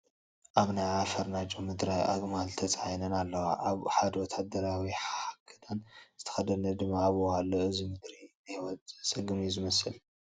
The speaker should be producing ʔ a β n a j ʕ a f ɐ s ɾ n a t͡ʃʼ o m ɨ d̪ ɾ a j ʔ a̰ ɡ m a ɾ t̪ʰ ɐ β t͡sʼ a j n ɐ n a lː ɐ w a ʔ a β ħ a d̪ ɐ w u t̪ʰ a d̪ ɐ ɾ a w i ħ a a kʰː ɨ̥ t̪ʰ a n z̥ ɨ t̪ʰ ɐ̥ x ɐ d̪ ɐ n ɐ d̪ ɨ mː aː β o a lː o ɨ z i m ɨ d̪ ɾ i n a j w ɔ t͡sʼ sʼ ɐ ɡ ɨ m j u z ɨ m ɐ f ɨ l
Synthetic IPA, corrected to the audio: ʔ a β n a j ʕ a f ɐ ɾ n a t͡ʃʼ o m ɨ d̪ ɾ a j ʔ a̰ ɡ m a l t̪ʰ ɐ t͡sʼ a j n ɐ n a lː ɐ w a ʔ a β ħ a d̪ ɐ w ɔ t̪ʰ a d̪ ɐ ɾ a w i ħ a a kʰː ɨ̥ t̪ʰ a n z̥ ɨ t̪ʰ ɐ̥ x ɐ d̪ ɐ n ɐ d̪ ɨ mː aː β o a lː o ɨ z i m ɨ d̪ ɾ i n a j w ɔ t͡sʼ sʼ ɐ ɡ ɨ m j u z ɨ m ɐ s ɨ l